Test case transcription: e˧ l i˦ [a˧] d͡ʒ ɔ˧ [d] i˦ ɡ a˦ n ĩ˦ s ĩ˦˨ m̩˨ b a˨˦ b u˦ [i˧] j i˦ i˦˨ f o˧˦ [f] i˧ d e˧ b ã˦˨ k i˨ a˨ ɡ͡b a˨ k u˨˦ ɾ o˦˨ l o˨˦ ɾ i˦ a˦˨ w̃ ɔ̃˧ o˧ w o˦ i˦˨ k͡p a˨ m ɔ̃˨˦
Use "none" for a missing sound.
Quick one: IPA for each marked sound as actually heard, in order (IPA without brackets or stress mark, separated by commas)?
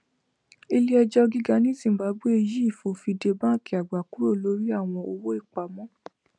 ɛ˧, ɡ, e˧, f